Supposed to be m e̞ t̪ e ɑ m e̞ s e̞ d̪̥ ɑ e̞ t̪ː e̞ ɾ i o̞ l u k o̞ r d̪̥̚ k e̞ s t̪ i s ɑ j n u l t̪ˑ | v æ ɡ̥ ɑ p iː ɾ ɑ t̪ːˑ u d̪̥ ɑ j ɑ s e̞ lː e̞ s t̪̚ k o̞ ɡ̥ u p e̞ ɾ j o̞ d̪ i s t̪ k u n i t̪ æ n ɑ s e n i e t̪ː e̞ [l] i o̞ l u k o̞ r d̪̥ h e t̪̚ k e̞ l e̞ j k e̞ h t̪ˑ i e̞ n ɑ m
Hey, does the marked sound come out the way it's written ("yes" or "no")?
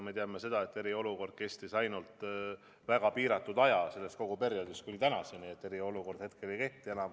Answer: no